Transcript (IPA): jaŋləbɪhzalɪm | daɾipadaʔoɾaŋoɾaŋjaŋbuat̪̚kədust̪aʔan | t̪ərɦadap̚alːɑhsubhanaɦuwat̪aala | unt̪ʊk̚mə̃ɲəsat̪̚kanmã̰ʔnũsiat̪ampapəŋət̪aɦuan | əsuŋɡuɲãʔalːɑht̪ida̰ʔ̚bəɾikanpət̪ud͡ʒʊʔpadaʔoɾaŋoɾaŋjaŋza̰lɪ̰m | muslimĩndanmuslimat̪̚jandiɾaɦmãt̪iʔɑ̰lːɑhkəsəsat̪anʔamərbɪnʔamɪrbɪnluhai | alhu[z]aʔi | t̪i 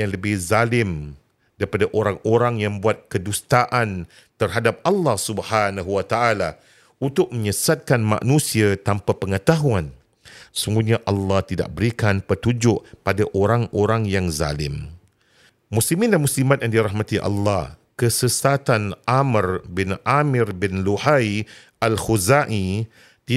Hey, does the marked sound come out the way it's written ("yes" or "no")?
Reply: yes